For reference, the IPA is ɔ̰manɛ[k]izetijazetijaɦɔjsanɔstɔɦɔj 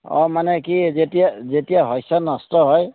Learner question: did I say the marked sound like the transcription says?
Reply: yes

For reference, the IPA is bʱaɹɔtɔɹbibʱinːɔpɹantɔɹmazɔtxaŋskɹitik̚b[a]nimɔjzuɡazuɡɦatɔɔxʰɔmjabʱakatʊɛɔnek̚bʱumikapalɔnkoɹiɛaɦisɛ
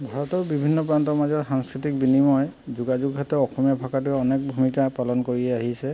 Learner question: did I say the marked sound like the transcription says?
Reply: no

